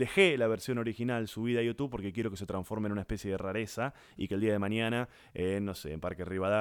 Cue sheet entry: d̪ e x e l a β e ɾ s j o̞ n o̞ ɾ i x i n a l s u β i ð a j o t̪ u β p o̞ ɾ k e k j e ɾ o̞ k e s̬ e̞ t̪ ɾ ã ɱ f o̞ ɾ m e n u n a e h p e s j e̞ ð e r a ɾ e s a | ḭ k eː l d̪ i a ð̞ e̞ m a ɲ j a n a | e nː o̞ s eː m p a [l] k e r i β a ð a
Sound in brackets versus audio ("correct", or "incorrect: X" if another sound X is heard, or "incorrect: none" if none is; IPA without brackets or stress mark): incorrect: ɾ